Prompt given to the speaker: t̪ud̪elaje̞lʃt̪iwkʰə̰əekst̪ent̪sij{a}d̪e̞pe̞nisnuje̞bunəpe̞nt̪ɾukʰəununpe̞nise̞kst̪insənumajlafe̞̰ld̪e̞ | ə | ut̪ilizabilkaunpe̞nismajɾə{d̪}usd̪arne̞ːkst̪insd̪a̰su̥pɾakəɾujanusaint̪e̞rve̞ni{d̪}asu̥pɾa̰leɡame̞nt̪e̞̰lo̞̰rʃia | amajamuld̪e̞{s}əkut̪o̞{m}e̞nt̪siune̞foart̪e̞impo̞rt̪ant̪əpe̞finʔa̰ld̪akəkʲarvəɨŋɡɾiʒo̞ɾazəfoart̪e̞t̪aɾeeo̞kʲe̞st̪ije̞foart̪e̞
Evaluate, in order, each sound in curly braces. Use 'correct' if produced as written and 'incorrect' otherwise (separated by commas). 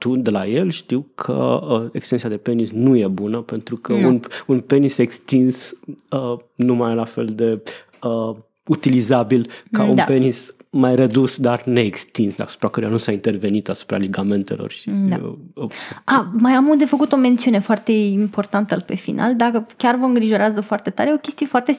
correct, correct, incorrect, incorrect, correct